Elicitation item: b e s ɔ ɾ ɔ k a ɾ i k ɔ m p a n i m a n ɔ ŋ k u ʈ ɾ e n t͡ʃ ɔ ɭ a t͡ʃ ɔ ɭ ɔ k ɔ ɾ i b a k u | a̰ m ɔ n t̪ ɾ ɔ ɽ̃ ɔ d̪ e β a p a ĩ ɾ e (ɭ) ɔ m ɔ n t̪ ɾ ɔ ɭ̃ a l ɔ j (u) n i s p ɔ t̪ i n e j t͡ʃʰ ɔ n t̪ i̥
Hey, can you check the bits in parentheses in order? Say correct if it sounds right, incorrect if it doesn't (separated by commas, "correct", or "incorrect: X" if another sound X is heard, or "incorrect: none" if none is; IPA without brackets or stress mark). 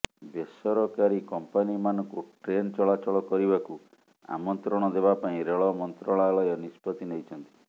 correct, incorrect: ɔ